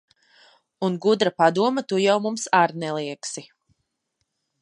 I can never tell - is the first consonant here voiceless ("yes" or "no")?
no